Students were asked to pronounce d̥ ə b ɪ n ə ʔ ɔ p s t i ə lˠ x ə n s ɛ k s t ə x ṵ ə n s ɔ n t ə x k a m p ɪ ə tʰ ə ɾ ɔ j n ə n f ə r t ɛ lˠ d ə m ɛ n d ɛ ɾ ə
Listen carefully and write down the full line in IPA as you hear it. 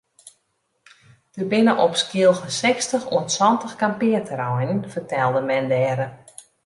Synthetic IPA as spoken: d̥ ə b ɪ n ə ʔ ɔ p s k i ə lˠ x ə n s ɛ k s t ə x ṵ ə n s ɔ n t ə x k a m p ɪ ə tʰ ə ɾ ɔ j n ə n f ə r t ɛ lˠ d ə m ɛ n d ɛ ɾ ə

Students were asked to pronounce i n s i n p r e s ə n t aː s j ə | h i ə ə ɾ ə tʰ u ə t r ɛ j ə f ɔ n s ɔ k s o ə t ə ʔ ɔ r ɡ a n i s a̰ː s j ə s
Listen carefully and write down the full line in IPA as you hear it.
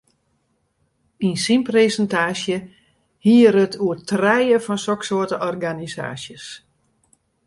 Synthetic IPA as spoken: i n s i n p r e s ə n t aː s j ə | h i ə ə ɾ ə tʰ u ə t r ɛ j ə f ɔ n s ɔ k s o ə t ə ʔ ɔ r ɡ a n i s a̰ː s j ə s

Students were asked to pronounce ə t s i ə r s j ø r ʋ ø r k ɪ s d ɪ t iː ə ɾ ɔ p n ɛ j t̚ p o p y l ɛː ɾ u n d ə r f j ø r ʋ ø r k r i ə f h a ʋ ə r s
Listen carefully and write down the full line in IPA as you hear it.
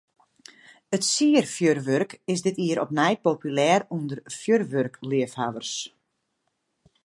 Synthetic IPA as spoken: ə t s i ə r f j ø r ʋ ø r k ɪ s d ɪ t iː ə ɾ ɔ p n ɛ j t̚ p o p y l ɛː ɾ u n d ə r f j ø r ʋ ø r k l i ə f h a ʋ ə r s

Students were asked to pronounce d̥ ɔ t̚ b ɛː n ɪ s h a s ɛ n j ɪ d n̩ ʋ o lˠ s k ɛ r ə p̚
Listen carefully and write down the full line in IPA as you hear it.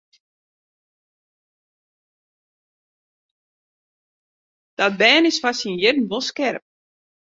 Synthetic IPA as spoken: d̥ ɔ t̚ b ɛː n ɪ s f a s i n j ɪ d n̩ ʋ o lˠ s k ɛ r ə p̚

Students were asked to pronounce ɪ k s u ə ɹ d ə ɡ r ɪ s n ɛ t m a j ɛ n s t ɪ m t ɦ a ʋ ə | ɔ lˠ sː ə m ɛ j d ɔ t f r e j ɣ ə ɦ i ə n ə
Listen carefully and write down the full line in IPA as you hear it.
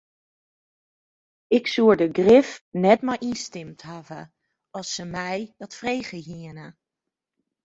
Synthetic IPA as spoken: ɪ k s u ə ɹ d ə ɡ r ɪ f n ɛ t m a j i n s t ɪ m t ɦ a v ə | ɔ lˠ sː ə m ɛ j d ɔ t f r e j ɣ ə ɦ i ə n ə

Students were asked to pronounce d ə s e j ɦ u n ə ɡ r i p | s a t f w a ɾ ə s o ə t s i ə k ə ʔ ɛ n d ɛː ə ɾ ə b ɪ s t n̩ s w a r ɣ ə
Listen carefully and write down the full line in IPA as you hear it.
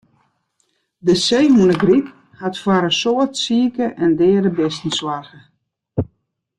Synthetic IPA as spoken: d ə s e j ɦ u n ə ɡ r i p | h a t f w a ɾ ə s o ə t s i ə k ə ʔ ɛ n d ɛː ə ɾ ə b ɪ s t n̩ s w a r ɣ ə

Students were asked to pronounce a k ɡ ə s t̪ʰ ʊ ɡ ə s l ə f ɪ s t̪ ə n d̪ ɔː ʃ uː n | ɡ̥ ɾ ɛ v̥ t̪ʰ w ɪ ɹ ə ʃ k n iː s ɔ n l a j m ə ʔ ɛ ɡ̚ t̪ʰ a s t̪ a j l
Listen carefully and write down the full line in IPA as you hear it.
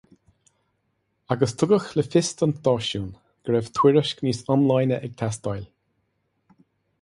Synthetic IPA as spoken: a ɡ ə s t̪ʰ ʊ ɡ ə x l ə f ɪ s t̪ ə n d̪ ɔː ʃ uː n | ɡ̥ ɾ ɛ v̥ t̪ʰ w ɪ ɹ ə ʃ k n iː s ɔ n l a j n ə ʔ ɛ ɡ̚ t̪ʰ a s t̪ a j l

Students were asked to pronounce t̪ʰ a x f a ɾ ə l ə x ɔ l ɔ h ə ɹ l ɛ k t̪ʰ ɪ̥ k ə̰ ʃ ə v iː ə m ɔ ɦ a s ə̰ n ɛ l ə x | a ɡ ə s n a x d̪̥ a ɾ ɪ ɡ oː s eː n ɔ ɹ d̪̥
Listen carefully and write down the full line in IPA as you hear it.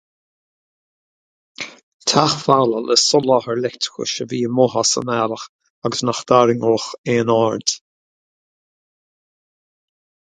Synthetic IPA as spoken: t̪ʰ a x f a l ə l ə s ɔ l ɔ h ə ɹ l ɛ k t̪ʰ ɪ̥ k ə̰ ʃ ə v iː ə m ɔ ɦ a s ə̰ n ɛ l ə x | a ɡ ə s n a x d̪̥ a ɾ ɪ ŋ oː x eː n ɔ ɹ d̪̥

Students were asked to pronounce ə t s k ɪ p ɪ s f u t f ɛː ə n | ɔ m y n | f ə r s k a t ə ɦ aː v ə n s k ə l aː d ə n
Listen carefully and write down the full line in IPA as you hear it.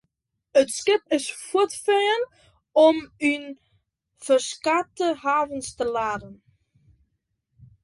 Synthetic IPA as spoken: ə t s k ɪ p ɪ s f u t f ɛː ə n | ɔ m y n | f ə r s k a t ə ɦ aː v ə n s t ə l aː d ə n

